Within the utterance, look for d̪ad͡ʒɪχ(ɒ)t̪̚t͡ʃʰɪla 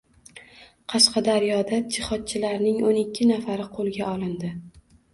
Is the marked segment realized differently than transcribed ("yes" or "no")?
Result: no